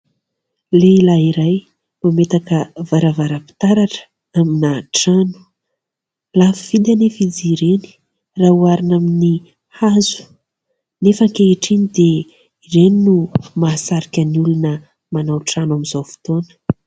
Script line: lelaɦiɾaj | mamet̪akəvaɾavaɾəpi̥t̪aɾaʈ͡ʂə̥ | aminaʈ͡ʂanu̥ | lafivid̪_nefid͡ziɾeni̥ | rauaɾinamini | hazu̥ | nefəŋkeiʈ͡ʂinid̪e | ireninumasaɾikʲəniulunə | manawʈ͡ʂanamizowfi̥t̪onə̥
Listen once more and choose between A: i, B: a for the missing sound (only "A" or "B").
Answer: B